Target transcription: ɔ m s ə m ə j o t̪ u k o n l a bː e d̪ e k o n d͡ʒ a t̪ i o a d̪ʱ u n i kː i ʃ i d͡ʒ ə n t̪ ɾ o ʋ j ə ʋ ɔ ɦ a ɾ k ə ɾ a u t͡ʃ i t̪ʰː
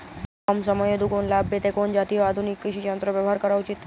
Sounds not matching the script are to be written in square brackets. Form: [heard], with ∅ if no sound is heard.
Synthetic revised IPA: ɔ m s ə m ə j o [d̪] u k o n l a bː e [t̪] e k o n d͡ʒ a t̪ i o a d̪ʱ u n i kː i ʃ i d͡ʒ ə n t̪ ɾ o ʋ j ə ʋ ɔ ɦ a ɾ k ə ɾ a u t͡ʃ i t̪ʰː